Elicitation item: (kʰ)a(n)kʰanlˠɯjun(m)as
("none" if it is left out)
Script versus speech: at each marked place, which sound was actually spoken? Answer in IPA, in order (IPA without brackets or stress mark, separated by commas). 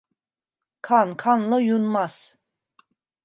kʰ, n, m